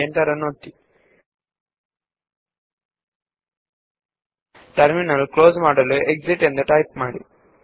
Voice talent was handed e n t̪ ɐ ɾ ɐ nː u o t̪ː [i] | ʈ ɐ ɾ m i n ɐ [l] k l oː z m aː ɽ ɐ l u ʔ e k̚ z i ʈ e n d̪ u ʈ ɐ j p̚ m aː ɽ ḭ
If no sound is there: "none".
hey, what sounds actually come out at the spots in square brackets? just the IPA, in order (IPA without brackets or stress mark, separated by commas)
i, l